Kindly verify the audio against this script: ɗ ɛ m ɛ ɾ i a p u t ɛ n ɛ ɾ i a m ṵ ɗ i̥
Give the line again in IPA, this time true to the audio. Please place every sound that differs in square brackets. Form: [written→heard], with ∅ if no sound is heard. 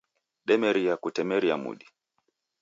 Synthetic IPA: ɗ ɛ m ɛ ɾ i a [p→k] u t ɛ [n→m] ɛ ɾ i a m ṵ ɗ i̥